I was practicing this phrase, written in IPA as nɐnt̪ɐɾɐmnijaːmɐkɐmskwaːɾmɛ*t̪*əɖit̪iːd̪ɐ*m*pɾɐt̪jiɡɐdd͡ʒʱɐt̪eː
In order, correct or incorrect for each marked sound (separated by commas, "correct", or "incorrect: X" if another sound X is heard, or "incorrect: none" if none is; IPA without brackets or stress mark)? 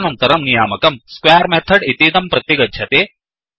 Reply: incorrect: t̪ʰ, correct